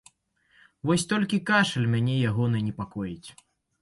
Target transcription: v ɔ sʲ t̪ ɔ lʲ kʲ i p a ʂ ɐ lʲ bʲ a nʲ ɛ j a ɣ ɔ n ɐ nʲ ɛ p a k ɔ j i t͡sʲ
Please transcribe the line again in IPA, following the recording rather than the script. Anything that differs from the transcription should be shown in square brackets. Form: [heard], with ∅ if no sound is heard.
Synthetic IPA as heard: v ɔ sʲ t̪ ɔ lʲ kʲ i [k] a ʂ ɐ lʲ [mʲ] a nʲ ɛ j a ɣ ɔ n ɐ nʲ ɛ p a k ɔ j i t͡sʲ